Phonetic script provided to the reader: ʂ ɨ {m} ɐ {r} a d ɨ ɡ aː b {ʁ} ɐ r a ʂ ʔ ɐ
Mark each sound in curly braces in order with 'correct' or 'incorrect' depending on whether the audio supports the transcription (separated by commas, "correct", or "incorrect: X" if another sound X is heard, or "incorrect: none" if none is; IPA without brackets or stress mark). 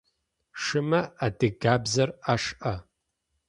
correct, incorrect: none, incorrect: z